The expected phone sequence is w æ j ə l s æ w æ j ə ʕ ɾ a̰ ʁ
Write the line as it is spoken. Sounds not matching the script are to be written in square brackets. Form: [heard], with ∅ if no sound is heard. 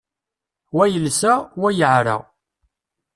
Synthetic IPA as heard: w æ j ə l s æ w æ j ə ʕ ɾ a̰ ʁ